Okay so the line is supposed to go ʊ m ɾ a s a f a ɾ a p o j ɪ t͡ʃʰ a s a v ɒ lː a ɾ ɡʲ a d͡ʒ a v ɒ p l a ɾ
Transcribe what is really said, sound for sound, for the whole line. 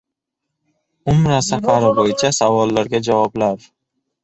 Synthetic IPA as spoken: ʊ m ɾ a s a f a ɾ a b o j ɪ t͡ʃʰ a s a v ɒ lː a ɾ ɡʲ a d͡ʒ a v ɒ b l a ɾ